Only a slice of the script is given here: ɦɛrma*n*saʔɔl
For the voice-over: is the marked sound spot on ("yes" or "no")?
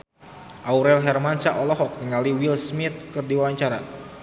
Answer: yes